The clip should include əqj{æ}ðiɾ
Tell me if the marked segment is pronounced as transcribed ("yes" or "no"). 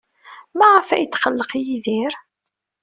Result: no